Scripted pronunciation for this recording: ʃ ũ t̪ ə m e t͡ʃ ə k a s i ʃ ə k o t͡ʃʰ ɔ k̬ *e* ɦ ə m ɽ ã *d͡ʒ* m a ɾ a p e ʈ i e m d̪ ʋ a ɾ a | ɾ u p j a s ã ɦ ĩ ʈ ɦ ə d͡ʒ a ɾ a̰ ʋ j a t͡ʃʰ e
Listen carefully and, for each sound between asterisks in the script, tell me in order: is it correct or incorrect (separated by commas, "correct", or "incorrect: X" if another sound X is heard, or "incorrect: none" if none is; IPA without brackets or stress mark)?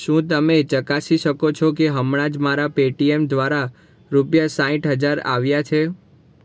correct, correct